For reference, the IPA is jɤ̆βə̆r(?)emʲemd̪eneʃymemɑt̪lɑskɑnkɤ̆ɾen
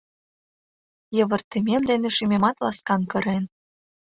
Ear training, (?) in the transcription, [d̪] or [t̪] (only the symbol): t̪